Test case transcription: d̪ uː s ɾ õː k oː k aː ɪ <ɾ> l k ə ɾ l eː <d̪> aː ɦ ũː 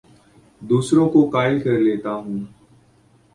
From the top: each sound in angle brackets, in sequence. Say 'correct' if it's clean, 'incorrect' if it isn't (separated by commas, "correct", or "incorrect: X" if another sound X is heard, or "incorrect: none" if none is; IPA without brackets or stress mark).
incorrect: none, incorrect: t̪